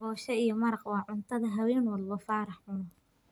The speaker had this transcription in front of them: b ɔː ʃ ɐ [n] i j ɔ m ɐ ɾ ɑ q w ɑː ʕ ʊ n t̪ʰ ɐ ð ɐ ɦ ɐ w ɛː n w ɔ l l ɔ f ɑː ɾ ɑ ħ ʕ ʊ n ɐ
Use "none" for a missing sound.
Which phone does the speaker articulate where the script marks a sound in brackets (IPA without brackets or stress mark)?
none